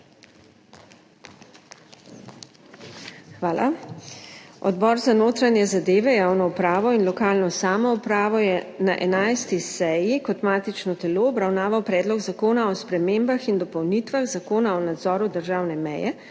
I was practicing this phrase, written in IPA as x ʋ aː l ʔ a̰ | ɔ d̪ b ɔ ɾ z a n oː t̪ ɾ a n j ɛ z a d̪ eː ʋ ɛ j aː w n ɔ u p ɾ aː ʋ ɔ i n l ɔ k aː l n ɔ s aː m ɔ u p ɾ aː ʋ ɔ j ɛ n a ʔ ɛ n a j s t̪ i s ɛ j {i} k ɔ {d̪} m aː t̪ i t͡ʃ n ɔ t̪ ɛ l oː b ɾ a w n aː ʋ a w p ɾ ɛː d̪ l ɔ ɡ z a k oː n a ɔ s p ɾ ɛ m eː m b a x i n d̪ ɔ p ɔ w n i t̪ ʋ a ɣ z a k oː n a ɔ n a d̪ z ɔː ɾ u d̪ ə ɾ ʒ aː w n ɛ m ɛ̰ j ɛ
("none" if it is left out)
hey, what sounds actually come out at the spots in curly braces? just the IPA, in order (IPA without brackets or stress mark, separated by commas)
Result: i, t̪